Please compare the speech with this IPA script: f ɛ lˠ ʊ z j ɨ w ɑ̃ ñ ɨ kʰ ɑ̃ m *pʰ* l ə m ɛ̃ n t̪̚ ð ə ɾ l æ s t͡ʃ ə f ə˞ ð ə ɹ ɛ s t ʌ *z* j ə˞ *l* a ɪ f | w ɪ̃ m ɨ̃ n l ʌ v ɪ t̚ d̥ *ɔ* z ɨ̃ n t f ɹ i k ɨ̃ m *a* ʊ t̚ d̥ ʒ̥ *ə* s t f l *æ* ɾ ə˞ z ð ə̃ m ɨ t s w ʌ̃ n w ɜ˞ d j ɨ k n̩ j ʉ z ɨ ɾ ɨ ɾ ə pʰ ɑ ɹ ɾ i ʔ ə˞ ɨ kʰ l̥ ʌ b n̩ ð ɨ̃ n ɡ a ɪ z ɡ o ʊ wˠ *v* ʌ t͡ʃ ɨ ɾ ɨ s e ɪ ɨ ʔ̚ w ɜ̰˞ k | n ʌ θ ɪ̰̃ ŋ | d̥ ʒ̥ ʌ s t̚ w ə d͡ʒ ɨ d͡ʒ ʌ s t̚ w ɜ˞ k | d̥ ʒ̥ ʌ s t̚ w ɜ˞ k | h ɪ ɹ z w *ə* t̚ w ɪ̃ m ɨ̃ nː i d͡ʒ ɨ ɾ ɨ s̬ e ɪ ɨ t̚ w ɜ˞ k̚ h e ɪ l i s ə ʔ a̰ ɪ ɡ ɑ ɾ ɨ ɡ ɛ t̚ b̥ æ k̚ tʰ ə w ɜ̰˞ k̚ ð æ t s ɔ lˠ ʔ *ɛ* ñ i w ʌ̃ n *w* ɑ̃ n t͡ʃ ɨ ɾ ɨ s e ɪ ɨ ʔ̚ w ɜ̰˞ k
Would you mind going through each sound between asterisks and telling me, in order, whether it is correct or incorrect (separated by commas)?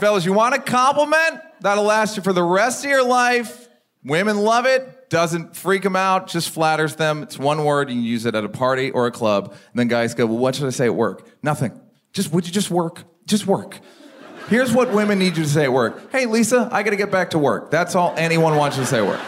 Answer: incorrect, incorrect, correct, incorrect, correct, incorrect, correct, incorrect, incorrect, correct, correct